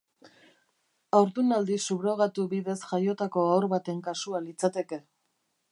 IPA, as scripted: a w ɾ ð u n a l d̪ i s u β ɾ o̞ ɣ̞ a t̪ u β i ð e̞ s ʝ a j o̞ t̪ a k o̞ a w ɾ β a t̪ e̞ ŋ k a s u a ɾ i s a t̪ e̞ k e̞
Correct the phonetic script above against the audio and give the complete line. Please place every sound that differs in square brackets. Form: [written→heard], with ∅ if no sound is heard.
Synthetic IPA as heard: a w ɾ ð u n a l d̪ i s u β ɾ o̞ ɣ̞ a t̪ u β i ð e̞ s ʝ a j o̞ t̪ a k o̞ a w ɾ β a t̪ e̞ ŋ k a s u a [ɾ→l] i [s→t͡s] a t̪ e̞ k e̞